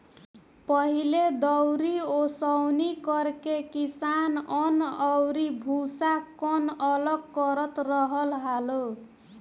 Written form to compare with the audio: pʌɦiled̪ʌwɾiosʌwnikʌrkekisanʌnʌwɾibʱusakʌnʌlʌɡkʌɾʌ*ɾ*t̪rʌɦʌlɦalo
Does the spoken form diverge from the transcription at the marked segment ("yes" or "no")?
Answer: yes